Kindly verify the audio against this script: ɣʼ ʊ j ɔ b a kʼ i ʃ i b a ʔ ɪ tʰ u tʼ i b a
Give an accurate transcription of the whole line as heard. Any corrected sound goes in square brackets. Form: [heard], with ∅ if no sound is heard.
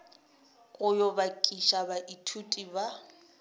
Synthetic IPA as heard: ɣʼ ʊ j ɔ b a kʼ i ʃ [a] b a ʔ [i] tʰ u tʼ i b a